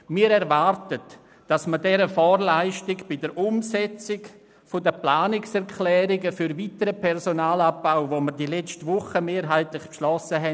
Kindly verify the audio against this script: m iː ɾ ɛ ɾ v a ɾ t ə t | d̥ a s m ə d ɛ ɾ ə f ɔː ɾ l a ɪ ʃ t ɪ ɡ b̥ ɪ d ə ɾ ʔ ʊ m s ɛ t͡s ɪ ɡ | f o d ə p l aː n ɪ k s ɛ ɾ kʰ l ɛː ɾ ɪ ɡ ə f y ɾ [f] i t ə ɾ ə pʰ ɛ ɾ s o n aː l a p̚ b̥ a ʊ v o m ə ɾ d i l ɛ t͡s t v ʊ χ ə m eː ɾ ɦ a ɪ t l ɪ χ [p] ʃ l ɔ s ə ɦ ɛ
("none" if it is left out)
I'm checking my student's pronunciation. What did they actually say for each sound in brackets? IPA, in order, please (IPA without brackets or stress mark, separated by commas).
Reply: v, p